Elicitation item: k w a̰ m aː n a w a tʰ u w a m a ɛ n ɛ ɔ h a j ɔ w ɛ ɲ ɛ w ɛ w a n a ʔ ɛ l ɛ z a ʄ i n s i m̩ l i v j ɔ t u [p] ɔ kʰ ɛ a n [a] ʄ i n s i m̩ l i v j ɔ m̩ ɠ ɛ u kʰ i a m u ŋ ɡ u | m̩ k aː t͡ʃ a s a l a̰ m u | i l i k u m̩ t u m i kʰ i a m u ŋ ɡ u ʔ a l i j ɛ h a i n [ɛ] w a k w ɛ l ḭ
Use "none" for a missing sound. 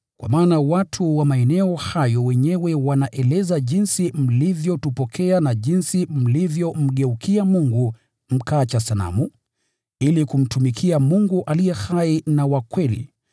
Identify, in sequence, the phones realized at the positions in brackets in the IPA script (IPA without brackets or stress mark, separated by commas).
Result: p, a, a